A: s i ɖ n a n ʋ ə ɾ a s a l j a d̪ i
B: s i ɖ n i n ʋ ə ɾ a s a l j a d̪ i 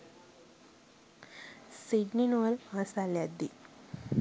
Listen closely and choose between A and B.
B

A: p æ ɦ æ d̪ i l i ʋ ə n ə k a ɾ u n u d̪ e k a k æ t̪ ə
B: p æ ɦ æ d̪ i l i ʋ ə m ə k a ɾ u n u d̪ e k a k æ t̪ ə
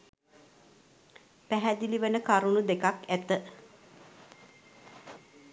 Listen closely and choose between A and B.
A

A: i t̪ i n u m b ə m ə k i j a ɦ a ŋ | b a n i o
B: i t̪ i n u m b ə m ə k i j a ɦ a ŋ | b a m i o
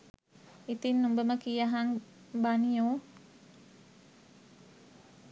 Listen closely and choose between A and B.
A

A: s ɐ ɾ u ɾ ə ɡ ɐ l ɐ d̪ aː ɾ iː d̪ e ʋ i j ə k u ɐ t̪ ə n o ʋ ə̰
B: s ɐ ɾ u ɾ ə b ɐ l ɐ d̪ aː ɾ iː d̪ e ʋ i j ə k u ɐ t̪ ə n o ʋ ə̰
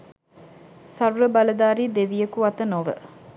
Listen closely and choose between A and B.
B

